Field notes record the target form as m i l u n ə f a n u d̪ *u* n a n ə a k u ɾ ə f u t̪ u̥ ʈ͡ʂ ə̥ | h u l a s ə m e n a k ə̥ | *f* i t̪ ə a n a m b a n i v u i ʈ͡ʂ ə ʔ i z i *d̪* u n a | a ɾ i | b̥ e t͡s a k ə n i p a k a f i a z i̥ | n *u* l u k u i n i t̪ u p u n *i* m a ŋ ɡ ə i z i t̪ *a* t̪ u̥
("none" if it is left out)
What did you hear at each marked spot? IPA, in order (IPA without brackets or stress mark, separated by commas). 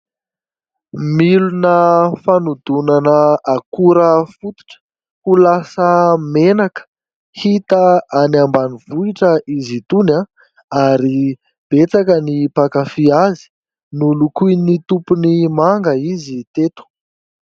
u, h, t̪, u, i, e